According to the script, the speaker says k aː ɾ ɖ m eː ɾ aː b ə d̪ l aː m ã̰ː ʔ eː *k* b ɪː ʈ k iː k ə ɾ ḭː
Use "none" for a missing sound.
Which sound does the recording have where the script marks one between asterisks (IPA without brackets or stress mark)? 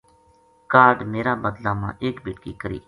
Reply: k